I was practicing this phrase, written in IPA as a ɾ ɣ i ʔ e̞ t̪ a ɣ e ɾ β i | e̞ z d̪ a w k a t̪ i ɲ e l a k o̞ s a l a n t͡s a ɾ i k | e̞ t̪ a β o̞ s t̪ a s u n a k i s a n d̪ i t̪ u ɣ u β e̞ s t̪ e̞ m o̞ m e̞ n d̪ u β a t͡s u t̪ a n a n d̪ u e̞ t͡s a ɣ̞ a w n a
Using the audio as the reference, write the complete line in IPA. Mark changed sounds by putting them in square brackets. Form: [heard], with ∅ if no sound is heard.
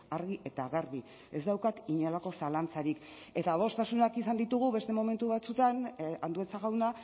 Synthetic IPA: a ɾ ɣ i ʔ e̞ t̪ a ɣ e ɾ β i | e̞ z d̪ a w k a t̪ i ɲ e l a k o̞ s a l a n t͡s a ɾ i k | e̞ t̪ a β o̞ s t̪ a s u n a k i s a n d̪ i t̪ u ɣ u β e̞ s t̪ e̞ m o̞ m e̞ n [t̪] u β a t͡s u t̪ a n a n d̪ u e̞ t͡s a ɣ̞ a w n a